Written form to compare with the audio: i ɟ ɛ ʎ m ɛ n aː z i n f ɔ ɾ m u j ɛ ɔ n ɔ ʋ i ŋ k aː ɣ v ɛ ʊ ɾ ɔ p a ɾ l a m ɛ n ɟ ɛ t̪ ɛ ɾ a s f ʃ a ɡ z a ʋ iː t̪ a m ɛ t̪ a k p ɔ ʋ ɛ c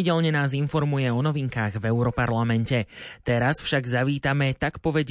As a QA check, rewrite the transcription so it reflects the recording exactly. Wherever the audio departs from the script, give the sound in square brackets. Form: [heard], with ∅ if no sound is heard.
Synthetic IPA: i ɟ ɛ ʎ [ɲ] ɛ n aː z i n f ɔ ɾ m u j ɛ ɔ n ɔ ʋ i ŋ k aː ɣ v ɛ ʊ ɾ ɔ p a ɾ l a m ɛ n [c] ɛ t̪ ɛ ɾ a s f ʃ a ɡ z a ʋ iː t̪ a m ɛ t̪ a k p ɔ ʋ ɛ [ɟ]